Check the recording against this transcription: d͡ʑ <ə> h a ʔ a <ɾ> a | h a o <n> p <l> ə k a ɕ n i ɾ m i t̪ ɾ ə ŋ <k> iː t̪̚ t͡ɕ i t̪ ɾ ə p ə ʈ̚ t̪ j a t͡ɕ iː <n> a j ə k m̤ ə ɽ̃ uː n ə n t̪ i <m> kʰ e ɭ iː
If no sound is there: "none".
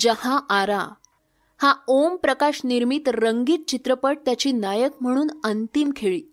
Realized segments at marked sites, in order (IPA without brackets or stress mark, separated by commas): ə, ɾ, m, ɾ, ɡ, n, m